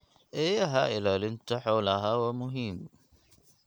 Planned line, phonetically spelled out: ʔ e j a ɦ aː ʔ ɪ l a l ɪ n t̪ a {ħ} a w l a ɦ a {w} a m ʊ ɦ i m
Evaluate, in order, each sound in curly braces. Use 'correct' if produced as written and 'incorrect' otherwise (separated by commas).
correct, correct